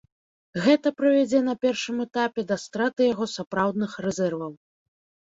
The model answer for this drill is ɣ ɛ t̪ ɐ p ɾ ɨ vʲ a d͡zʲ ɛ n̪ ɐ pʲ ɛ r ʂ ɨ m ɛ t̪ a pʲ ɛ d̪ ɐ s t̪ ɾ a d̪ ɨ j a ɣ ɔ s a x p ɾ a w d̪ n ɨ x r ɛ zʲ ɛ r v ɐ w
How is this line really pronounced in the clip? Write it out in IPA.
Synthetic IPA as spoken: ɣ ɛ t̪ ɐ p ɾ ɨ vʲ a d͡zʲ ɛ n̪ ɐ pʲ ɛ r ʂ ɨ m ɛ t̪ a pʲ ɛ d̪ ɐ s t̪ ɾ a t̪ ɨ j a ɣ ɔ s a p ɾ a w d̪ n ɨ x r ɛ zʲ ɛ r v ɐ w

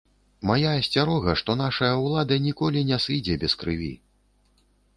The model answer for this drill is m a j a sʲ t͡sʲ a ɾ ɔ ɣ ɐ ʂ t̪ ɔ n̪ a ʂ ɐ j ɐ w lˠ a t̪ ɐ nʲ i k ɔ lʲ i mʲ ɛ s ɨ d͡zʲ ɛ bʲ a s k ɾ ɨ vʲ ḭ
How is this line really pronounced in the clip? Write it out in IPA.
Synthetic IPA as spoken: m a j a sʲ t͡sʲ a ɾ ɔ ɣ ɐ ʂ t̪ ɔ n̪ a ʂ ɐ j ɐ w lˠ a d̪ ɐ nʲ i k ɔ lʲ i nʲ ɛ s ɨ d͡zʲ ɛ bʲ ɛ s k ɾ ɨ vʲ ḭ

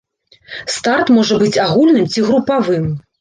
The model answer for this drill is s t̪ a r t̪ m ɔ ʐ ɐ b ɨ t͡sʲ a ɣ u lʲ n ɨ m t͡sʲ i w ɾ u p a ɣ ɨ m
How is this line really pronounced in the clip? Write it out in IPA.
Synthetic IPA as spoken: s t̪ a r t̪ m ɔ ʐ ɐ b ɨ t͡sʲ a ɣ u lʲ n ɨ m t͡sʲ i ɣ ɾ u p a v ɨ m

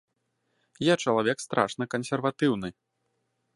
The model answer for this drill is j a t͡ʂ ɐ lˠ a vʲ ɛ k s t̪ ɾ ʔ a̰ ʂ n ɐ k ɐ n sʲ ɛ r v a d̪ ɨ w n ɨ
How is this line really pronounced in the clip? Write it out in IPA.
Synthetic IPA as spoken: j a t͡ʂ ɐ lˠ a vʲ ɛ k s t̪ ɾ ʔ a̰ ʂ n ɐ k ɐ n sʲ ɛ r v a t̪ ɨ w n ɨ

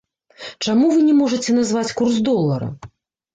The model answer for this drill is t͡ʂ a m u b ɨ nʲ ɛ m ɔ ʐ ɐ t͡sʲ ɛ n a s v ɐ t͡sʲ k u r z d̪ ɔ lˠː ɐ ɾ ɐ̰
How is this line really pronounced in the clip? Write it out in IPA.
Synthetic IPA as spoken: t͡ʂ a m u v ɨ nʲ ɛ m ɔ ʐ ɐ t͡sʲ ɛ n a z v a t͡sʲ k u r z d̪ ɔ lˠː ɐ ɾ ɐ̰

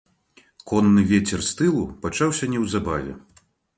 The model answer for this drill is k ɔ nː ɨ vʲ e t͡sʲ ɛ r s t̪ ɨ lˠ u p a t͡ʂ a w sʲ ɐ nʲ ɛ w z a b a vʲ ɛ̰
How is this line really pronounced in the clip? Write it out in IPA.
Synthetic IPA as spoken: k ɔ nː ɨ vʲ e t͡sʲ ɛ r s t̪ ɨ lˠ u p a t͡ʂ a w sʲ ɐ nʲ ɛ w z a b a vʲ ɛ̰

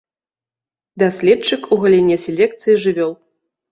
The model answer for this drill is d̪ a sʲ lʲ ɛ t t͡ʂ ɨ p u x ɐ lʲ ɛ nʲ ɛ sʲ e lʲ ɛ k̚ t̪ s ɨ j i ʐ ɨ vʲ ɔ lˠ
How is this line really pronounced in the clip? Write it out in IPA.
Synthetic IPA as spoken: d̪ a sʲ lʲ ɛ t t͡ʂ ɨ k u ɣ ɐ lʲ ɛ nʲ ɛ sʲ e lʲ ɛ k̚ t̪ s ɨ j i ʐ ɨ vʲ ɔ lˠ

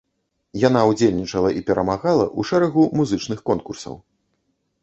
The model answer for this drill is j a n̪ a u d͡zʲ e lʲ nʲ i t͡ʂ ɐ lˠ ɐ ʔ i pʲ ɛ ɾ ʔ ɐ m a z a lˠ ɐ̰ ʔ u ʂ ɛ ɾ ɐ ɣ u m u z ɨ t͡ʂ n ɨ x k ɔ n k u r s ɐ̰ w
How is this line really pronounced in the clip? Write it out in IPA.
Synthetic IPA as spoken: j a n̪ a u d͡zʲ e lʲ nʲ i t͡ʂ ɐ lˠ ɐ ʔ i pʲ ɛ ɾ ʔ ɐ m a ɣ a lˠ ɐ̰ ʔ u ʂ ɛ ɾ ɐ ɣ u m u z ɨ t͡ʂ n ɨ x k ɔ n k u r s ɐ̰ w

